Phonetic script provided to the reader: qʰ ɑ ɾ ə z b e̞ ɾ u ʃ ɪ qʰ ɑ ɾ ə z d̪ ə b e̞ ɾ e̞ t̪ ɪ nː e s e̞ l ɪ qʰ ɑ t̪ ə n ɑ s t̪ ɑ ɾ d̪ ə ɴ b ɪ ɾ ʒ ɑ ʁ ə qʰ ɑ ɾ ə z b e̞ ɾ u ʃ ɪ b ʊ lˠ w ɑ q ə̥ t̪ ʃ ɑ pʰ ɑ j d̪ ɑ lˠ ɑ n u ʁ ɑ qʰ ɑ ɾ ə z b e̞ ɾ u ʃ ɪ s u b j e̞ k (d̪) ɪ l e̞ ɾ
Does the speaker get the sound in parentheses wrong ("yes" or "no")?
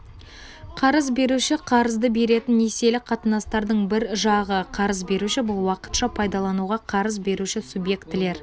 yes